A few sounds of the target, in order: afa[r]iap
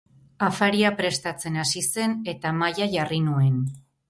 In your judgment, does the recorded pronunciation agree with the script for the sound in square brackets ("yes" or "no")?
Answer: no